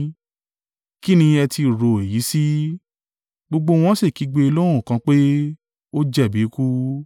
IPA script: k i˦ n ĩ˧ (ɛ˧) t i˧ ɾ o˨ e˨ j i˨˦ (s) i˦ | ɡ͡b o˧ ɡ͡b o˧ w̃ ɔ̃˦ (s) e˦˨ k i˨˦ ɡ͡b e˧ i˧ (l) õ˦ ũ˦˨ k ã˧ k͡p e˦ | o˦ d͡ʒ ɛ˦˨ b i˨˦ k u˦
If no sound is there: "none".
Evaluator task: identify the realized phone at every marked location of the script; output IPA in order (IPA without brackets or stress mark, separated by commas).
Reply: ɛ˧, s, s, l